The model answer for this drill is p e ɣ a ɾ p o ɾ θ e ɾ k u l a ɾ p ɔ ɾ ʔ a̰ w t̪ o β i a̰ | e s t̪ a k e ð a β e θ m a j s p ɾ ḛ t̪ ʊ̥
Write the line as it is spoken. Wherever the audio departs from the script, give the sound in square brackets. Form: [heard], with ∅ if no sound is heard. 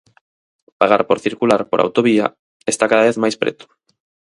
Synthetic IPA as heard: p [a] ɣ a ɾ p o ɾ θ [i] ɾ k u l a ɾ p [o] ɾ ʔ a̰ w t̪ o β i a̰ | e s t̪ a k [a] ð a β e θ m a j s p ɾ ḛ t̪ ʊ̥